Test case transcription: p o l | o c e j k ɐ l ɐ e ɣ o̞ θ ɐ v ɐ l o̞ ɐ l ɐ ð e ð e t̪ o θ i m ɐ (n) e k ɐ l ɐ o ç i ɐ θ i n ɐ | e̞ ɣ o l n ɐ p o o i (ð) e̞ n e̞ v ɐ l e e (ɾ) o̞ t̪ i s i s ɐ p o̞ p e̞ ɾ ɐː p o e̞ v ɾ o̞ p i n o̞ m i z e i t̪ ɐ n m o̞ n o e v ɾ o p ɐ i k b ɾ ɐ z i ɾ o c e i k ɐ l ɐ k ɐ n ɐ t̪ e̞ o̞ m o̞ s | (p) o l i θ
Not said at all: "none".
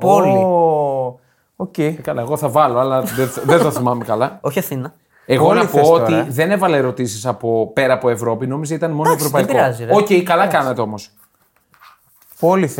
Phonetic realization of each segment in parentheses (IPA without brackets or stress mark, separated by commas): m, ð, ɾ, p